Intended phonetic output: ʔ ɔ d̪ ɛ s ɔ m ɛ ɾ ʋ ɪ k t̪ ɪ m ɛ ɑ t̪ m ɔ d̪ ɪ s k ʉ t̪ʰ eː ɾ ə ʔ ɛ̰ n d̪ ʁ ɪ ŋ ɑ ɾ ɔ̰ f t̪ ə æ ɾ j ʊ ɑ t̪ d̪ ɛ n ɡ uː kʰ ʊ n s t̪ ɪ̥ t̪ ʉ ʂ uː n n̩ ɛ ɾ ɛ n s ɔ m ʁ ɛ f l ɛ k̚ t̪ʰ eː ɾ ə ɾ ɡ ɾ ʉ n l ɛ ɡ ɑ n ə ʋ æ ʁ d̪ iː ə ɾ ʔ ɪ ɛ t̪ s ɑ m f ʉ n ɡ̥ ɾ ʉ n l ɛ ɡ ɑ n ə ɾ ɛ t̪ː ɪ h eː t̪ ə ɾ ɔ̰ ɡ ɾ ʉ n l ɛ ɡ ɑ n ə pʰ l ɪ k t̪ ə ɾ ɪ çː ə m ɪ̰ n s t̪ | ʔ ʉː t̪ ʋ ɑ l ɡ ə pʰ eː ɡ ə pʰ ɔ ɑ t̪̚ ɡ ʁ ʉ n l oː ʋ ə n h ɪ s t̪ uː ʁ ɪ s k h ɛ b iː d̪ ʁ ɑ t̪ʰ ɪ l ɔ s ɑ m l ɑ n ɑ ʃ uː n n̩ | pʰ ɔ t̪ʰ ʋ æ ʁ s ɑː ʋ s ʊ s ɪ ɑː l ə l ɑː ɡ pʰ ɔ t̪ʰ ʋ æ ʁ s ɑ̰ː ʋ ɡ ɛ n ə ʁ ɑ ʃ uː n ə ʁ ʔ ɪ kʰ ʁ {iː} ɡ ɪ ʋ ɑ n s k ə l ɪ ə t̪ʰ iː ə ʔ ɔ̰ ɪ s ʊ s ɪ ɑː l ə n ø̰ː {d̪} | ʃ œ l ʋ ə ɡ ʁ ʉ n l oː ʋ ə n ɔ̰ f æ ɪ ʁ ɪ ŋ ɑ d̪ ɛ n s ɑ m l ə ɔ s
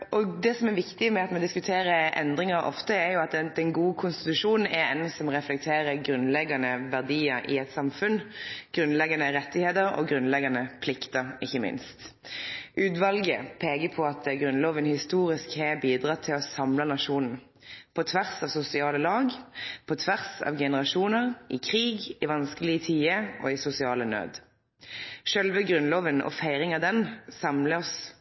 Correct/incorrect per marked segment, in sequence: correct, correct

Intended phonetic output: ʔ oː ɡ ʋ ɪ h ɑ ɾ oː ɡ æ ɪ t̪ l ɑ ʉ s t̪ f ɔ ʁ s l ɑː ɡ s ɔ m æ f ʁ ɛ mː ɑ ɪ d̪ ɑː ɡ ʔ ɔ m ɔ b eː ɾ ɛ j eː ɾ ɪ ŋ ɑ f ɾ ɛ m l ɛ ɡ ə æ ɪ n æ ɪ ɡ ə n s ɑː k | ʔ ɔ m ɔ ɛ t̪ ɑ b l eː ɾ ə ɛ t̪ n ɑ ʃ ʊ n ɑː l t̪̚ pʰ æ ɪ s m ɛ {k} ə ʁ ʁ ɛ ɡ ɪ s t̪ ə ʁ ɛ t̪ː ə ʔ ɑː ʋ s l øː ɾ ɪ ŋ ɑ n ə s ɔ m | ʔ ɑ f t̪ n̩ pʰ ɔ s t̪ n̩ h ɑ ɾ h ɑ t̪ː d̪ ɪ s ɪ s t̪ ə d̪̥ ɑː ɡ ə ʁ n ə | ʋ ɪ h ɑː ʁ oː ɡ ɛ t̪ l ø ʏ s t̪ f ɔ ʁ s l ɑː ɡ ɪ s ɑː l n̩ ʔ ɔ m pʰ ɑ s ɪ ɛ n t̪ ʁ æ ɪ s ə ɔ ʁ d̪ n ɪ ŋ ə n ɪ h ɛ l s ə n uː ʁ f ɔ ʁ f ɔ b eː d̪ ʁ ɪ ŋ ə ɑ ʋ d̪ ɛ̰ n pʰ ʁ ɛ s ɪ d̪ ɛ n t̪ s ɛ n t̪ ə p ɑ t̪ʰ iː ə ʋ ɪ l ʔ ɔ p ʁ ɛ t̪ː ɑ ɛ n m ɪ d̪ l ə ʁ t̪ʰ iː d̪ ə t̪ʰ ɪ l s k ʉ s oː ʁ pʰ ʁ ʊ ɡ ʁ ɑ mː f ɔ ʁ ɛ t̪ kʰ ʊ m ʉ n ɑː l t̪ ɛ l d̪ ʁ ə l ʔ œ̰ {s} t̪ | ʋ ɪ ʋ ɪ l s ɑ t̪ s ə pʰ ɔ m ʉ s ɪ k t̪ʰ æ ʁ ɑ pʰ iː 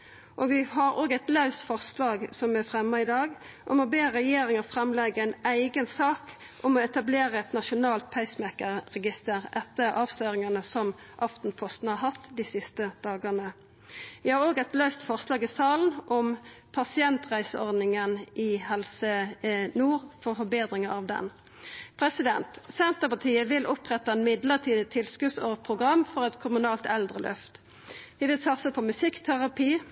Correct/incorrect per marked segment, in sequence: correct, incorrect: f

